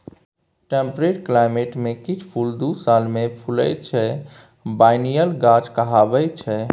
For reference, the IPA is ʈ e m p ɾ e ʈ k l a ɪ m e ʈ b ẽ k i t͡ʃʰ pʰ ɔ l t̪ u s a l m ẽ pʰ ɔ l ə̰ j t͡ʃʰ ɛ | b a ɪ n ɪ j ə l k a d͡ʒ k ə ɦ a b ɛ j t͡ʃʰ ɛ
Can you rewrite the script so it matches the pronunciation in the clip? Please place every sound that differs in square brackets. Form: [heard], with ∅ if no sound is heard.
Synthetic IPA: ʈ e m p ɾ e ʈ k l a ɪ m e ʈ [m] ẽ k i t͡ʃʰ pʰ [u] l [d̪] u s a l m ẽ pʰ [u] l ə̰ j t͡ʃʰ ɛ | b a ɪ n [i] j ə l [ɡ] a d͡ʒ k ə ɦ a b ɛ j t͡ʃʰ ɛ